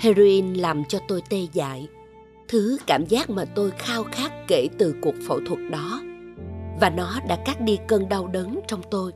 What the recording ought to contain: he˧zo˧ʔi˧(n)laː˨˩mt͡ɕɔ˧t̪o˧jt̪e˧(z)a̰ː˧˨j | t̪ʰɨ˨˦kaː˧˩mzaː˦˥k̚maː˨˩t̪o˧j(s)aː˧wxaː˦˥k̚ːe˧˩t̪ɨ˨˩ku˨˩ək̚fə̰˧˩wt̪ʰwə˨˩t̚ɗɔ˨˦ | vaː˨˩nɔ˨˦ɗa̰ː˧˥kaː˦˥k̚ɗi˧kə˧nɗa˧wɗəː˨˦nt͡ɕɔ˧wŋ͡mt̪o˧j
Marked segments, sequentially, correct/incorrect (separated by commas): correct, correct, incorrect